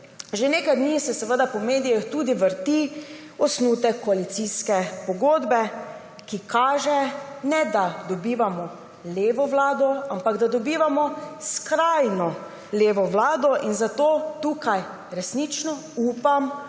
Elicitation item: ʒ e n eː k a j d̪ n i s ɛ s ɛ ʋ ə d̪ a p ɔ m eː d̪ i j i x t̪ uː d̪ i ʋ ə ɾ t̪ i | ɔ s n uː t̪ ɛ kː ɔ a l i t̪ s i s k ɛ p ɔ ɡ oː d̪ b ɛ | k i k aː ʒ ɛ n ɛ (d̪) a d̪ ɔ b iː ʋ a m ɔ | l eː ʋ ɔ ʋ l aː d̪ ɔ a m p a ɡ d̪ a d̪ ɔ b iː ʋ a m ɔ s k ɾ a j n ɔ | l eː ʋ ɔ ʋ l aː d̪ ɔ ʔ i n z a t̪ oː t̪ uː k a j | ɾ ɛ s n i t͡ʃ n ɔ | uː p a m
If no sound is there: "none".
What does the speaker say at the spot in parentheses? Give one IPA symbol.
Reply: d̪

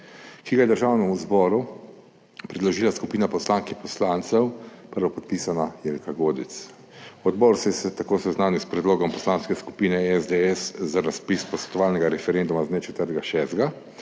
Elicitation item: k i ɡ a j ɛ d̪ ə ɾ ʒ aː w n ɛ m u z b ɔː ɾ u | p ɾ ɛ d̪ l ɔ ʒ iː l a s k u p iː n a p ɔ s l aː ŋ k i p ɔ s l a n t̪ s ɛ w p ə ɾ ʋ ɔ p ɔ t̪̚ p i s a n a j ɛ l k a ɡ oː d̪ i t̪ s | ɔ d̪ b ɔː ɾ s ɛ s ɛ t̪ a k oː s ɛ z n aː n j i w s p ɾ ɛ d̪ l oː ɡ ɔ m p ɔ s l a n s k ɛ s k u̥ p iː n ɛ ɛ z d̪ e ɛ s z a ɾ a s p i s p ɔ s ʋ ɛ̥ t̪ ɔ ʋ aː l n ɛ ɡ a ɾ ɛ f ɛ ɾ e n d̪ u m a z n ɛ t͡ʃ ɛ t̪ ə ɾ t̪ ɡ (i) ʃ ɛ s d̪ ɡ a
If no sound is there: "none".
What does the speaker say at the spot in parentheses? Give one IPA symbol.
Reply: a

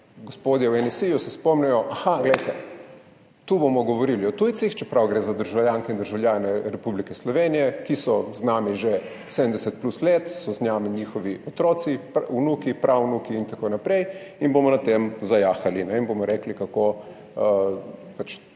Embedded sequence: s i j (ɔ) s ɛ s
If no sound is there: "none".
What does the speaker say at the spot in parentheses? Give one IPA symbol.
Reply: u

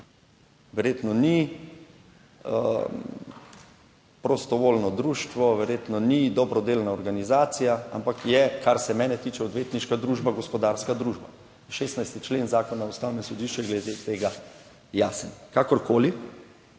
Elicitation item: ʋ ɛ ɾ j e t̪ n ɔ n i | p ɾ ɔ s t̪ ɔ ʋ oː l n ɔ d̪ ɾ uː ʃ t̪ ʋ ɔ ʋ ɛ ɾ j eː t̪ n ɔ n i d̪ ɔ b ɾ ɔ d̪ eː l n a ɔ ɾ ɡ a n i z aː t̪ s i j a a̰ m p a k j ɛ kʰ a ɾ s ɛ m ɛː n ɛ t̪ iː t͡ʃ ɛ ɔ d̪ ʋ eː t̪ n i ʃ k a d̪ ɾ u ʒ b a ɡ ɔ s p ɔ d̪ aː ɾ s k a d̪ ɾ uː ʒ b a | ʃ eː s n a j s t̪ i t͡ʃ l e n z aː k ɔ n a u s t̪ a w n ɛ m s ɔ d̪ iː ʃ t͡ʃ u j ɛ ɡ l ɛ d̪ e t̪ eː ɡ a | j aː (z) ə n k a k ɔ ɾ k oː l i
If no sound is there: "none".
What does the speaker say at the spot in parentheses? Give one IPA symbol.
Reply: s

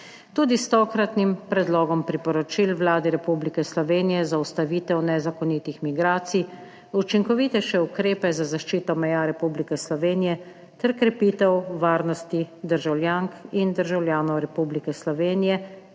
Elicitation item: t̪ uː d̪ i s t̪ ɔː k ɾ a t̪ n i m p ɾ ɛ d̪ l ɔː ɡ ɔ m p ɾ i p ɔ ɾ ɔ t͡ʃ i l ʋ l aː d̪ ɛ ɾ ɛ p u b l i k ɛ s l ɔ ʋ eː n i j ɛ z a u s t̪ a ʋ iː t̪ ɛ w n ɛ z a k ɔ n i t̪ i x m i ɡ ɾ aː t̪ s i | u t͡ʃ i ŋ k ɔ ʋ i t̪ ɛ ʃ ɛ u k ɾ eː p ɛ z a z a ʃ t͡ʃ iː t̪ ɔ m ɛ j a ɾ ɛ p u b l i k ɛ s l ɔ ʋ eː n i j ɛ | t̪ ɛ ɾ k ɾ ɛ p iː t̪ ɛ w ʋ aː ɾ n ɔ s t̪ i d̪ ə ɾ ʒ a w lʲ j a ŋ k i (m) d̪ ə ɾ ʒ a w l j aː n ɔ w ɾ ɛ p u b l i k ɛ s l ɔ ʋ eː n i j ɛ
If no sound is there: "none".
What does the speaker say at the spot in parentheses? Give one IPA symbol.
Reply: n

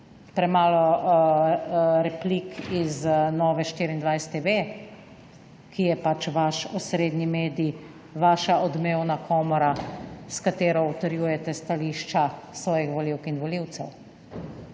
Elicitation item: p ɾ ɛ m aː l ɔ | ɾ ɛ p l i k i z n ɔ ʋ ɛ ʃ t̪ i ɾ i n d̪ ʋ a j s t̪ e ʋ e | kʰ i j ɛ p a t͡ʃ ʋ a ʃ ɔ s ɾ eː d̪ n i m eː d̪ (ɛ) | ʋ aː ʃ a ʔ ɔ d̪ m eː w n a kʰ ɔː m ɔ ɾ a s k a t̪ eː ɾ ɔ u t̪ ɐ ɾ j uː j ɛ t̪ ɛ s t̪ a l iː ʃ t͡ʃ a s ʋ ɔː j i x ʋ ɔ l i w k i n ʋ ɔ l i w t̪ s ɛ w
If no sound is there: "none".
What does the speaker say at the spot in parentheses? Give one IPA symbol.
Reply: i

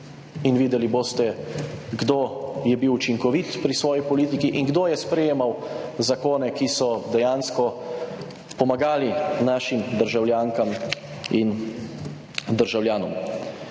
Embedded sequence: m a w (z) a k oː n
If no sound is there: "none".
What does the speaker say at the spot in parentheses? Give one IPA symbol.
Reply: z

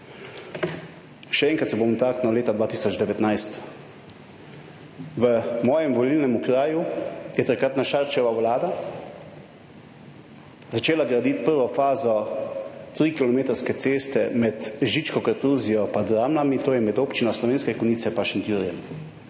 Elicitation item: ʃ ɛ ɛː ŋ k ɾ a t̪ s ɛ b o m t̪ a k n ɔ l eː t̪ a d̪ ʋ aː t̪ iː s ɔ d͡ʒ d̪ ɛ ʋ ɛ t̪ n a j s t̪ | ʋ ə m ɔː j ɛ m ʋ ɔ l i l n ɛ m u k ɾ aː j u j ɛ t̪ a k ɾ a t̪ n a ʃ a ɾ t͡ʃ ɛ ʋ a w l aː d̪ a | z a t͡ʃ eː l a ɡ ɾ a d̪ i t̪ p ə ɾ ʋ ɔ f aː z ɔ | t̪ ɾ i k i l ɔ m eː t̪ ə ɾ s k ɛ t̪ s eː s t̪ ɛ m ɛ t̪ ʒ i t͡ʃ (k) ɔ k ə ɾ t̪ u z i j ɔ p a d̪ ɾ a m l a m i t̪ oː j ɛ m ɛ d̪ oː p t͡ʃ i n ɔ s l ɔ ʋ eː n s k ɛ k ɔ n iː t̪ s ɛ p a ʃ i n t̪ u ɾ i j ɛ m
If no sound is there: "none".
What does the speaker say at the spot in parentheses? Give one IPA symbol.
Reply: k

